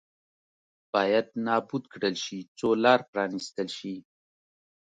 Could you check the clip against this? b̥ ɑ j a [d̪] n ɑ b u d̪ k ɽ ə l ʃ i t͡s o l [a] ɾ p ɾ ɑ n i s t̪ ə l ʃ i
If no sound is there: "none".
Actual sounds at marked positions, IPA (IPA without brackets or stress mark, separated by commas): d̪, ɑ